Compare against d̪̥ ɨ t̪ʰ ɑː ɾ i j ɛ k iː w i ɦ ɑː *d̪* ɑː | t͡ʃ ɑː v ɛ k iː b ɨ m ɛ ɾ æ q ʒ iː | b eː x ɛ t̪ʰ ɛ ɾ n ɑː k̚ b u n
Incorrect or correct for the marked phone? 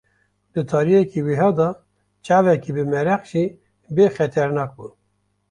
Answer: correct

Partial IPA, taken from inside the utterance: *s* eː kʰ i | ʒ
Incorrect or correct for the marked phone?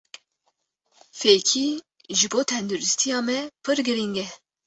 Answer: incorrect: f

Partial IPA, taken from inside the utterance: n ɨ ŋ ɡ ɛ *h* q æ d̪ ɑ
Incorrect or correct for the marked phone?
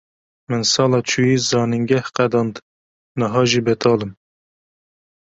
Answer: correct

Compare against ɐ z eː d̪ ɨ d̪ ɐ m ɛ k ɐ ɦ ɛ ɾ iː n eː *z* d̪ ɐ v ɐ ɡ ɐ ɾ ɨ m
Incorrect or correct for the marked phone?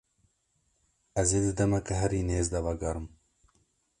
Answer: correct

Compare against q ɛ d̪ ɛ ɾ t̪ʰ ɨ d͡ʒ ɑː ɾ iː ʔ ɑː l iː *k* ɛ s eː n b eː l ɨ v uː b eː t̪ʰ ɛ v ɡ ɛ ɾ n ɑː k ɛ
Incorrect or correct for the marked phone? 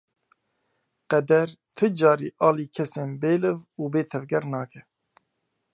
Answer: incorrect: kʰ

